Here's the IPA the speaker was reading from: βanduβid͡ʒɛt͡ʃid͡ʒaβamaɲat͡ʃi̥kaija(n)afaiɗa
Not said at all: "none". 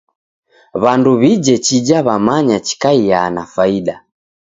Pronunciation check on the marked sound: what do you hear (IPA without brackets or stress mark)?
n